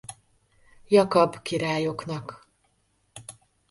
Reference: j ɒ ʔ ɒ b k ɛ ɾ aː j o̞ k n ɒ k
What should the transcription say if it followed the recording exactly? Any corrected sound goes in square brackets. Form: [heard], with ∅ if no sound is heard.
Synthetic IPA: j ɒ [k] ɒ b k [i] ɾ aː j o̞ k n ɒ k